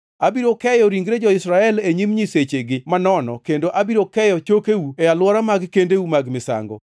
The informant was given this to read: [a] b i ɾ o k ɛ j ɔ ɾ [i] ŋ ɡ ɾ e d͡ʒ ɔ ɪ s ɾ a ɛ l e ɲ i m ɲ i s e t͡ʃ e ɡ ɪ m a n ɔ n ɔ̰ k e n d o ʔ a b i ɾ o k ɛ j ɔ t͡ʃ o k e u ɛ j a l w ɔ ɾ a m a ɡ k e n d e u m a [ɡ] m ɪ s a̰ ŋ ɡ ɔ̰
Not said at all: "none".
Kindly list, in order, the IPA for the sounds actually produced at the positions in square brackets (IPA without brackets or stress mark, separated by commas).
a, i, ɡ